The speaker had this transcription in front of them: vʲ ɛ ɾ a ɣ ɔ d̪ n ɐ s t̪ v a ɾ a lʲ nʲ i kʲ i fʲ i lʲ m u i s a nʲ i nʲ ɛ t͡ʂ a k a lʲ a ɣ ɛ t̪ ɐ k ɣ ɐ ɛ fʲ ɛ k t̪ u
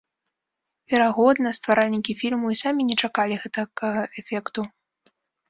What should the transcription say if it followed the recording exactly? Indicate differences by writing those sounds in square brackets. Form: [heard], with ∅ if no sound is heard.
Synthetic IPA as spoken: vʲ ɛ ɾ a ɣ ɔ d̪ n ɐ s t̪ v a ɾ a lʲ nʲ i kʲ i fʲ i lʲ m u i s a [mʲ] i nʲ ɛ t͡ʂ a k a lʲ [i] ɣ ɛ t̪ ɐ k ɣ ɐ ɛ fʲ ɛ k t̪ u